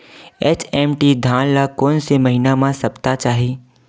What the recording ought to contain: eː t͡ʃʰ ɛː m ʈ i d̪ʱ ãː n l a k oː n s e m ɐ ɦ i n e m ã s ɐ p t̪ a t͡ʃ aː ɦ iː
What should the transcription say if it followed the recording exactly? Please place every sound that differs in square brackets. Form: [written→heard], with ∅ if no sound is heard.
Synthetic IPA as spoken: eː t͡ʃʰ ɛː m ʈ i d̪ʱ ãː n l a k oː n s e m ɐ ɦ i n [e→a] m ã s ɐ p t̪ a t͡ʃ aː ɦ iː